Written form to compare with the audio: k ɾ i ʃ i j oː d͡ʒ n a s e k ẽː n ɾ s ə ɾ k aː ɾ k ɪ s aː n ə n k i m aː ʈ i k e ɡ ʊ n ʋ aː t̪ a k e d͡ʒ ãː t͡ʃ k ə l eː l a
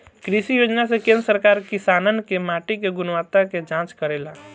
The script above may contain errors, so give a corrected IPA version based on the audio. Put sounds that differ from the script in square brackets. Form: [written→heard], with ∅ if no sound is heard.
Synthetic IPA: k ɾ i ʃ i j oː d͡ʒ n a s e k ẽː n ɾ s ə ɾ k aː ɾ k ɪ s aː n ə n k [i→e] m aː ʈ i k e ɡ ʊ n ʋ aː t̪ a k e d͡ʒ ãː t͡ʃ k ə [l→ɾ] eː l a

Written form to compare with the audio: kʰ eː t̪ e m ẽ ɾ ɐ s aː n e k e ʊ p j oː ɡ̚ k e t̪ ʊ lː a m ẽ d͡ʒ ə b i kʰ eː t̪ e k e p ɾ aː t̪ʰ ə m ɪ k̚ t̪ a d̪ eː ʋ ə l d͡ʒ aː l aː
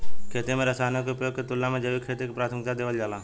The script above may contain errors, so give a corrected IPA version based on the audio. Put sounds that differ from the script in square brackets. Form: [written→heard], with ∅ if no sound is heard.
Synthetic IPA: kʰ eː t̪ e m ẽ ɾ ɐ s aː n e k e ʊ p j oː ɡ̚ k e t̪ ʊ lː a m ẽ d͡ʒ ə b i kʰ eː t̪ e k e p ɾ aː t̪ʰ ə m ɪ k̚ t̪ a d̪ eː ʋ ə l d͡ʒ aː l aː

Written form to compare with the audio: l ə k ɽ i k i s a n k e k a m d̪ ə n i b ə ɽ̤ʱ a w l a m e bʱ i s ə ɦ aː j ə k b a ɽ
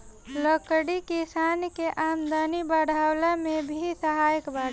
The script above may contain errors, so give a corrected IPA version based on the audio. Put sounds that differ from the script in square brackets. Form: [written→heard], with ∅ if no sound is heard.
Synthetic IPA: l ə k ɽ i k i s a n k e [k→ʔ] a m d̪ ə n i b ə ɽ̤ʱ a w l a m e bʱ i s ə ɦ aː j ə k b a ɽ

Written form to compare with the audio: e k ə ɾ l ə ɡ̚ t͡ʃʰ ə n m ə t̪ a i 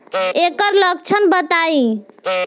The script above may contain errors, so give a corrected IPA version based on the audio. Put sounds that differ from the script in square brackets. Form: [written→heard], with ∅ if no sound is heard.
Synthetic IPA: e k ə ɾ l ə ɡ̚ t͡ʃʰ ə n [m→b] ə t̪ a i

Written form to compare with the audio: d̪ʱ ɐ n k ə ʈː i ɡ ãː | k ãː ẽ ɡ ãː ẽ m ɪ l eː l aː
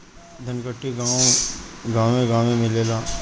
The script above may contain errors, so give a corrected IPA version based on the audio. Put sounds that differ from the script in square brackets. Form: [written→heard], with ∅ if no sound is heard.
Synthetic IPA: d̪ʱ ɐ n k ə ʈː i ɡ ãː | [k→ɡ] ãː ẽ ɡ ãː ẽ m ɪ l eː l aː

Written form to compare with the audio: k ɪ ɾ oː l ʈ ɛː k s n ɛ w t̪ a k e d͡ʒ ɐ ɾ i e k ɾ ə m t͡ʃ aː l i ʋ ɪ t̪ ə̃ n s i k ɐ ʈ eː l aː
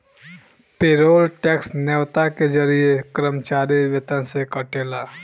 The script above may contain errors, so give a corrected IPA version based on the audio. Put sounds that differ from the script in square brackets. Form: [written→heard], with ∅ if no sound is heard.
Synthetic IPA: [k→p] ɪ ɾ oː l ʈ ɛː k s n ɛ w t̪ a k e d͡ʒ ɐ ɾ i e k ɾ ə m t͡ʃ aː [l→ɾ] i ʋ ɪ t̪ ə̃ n s [i→e] k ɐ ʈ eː l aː

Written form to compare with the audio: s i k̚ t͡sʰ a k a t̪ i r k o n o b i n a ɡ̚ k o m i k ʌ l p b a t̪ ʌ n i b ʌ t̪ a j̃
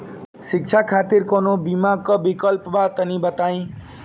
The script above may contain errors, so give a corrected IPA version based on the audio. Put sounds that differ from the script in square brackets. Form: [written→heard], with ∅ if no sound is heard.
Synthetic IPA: s i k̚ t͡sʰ a [k→kʰ] a t̪ i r k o n o b i [n→m] a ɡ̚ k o [m→b] i k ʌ l p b a t̪ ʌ n i b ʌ t̪ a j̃

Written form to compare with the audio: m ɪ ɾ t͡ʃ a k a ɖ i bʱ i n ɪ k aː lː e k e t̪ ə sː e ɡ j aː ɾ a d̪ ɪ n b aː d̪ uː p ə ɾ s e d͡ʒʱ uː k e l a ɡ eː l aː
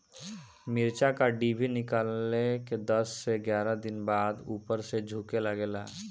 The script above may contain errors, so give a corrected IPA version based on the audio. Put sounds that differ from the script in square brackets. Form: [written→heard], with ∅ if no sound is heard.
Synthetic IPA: m ɪ ɾ t͡ʃ a k a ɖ i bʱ i n ɪ k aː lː e k e [t̪→d̪] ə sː e ɡ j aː ɾ a d̪ ɪ n b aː d̪ uː p ə ɾ s e d͡ʒʱ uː k e l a ɡ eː l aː

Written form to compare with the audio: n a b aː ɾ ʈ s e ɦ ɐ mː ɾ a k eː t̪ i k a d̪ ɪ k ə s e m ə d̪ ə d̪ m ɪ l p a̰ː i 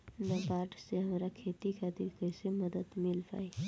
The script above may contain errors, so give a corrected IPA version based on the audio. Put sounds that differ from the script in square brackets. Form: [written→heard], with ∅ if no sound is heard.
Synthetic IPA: n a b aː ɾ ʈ s e ɦ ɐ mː ɾ a [k→kʰ] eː t̪ i k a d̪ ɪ k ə s e m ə d̪ ə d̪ m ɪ l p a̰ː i

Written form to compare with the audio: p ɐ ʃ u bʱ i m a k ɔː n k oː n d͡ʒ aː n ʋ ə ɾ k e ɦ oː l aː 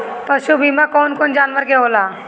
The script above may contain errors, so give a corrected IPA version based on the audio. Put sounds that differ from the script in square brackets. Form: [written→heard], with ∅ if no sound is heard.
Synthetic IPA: p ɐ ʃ u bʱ i m a k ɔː n k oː n d͡ʒ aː n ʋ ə ɾ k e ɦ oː l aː

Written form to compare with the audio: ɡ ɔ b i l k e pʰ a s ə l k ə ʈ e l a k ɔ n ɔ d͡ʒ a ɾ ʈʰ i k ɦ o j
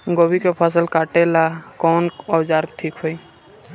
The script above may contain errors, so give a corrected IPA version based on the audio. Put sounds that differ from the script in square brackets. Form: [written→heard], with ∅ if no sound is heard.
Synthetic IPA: ɡ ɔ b i [l→∅] k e pʰ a s ə l k [ə→a] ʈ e l a k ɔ n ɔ d͡ʒ a ɾ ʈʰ i k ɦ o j

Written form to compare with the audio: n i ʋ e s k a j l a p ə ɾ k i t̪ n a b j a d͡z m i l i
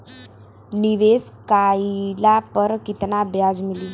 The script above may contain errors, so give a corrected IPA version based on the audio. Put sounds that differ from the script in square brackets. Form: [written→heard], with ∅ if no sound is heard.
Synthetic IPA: n i ʋ e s k a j l a p ə ɾ k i t̪ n a b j a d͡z m i l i

